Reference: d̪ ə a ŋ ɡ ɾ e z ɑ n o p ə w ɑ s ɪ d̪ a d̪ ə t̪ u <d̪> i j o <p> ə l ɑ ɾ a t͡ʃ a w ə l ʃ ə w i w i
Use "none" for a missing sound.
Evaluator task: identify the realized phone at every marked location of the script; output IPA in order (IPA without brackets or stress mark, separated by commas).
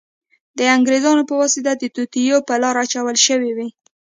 t̪, p